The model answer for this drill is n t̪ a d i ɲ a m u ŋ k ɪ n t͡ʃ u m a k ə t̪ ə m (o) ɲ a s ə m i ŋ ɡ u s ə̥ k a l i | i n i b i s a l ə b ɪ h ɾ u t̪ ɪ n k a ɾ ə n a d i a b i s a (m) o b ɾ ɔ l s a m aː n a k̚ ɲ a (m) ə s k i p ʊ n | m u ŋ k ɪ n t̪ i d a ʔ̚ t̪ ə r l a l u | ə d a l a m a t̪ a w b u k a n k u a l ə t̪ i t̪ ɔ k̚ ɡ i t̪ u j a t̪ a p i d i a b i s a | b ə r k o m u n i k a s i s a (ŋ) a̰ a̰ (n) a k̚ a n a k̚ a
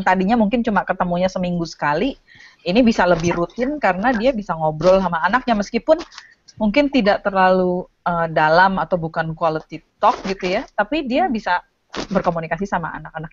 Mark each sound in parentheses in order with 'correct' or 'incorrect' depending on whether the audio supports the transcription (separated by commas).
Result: incorrect, incorrect, correct, incorrect, correct